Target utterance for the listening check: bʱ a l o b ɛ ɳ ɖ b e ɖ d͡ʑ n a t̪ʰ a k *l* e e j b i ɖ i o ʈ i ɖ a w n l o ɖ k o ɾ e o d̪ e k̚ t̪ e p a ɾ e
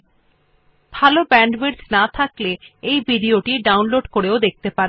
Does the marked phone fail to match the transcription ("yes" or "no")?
no